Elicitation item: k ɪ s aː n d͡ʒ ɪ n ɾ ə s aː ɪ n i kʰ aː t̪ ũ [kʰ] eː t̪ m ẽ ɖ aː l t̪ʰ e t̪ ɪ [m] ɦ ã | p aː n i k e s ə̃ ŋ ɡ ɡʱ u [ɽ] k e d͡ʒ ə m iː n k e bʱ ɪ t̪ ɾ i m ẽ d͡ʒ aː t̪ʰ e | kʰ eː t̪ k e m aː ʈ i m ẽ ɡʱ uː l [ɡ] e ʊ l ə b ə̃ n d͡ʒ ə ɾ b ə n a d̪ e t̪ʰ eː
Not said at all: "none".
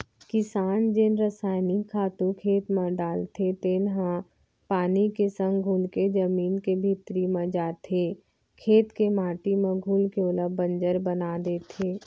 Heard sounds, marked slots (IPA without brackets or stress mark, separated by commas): kʰ, n, l, k